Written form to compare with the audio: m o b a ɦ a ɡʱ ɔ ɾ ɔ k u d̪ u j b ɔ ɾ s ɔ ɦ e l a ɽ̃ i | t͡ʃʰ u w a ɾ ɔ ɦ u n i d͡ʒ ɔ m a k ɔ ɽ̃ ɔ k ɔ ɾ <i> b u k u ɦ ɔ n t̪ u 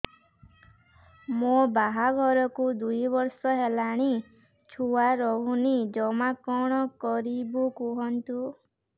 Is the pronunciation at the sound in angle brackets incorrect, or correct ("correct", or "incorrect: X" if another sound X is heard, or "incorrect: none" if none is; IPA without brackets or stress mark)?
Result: correct